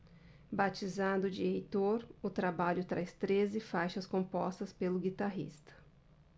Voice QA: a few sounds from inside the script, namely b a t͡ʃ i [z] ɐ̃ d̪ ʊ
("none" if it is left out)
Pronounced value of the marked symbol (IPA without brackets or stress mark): z